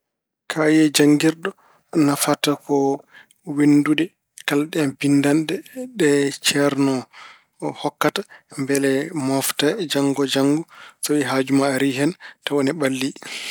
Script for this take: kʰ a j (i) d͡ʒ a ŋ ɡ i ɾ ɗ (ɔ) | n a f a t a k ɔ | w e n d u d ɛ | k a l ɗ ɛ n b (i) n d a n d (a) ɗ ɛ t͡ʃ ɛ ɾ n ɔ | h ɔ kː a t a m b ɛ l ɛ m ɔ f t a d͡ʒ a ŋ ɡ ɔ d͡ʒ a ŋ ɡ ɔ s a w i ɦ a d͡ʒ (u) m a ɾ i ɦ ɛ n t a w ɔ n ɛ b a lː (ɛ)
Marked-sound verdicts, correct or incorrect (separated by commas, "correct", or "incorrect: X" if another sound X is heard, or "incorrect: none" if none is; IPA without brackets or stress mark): incorrect: ɛ, correct, correct, incorrect: ɛ, correct, incorrect: i